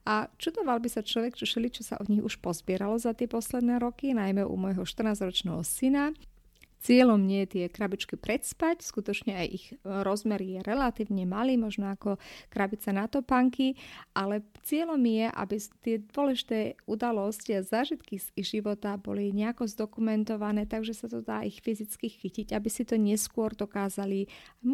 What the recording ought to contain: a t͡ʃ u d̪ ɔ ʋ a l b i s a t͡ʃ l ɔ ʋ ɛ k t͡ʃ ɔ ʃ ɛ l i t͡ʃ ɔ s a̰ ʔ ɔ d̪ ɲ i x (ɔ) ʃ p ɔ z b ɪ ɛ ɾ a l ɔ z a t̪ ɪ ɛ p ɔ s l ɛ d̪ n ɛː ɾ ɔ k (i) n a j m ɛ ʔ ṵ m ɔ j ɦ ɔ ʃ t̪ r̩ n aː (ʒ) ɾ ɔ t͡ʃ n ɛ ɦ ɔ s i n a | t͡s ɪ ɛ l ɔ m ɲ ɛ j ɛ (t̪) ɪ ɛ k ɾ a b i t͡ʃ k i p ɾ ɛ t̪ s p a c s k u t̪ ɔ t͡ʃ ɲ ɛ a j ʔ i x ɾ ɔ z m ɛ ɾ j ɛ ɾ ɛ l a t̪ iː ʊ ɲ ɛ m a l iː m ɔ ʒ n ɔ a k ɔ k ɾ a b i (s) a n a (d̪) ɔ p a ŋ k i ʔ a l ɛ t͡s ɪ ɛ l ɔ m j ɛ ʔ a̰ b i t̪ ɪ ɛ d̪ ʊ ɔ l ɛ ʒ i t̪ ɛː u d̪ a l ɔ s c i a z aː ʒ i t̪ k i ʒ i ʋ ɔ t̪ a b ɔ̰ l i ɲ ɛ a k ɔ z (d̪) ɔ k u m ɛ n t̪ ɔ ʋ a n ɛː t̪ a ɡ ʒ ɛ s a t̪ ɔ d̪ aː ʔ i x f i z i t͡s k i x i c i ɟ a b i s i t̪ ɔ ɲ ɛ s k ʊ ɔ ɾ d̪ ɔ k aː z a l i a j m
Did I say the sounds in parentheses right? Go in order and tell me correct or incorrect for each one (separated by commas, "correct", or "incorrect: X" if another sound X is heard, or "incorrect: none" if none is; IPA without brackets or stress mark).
incorrect: u, correct, incorrect: z, correct, incorrect: t͡s, incorrect: t̪, correct